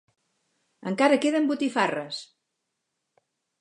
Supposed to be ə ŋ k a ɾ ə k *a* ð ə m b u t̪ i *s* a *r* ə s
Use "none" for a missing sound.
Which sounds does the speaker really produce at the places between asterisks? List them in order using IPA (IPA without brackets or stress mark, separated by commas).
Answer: e, f, r